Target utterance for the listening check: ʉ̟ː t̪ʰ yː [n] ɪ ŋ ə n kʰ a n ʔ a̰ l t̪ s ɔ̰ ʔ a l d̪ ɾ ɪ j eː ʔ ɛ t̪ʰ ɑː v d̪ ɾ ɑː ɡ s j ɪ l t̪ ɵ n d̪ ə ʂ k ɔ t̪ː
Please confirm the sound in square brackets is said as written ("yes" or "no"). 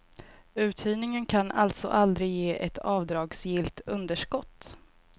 yes